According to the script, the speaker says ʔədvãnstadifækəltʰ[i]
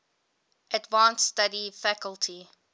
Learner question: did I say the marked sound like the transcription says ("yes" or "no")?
yes